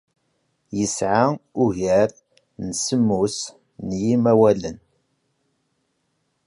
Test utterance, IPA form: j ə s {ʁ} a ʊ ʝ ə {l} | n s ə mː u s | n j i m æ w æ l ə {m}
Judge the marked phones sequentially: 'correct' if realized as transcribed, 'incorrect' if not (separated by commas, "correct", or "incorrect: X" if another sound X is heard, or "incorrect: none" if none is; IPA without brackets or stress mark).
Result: incorrect: ʕ, incorrect: ɾ, incorrect: n